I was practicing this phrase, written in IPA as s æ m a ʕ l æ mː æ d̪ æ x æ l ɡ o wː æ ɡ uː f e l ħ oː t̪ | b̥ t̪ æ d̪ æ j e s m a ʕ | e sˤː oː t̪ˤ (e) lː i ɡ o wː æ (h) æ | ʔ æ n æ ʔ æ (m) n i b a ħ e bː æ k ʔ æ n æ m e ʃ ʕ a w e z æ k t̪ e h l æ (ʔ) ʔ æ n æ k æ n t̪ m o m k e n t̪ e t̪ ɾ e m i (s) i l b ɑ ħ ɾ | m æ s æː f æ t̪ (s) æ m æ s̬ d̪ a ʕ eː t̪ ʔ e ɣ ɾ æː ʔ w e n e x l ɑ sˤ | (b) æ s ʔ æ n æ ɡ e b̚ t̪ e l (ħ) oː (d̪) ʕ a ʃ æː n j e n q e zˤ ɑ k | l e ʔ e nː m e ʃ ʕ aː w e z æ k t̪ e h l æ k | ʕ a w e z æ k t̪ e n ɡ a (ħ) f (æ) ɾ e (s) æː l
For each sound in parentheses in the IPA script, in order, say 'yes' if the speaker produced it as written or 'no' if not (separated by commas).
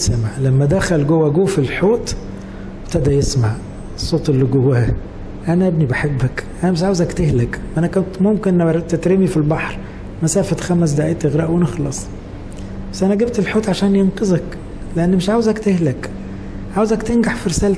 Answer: yes, yes, no, no, no, no, yes, yes, no, yes, no, yes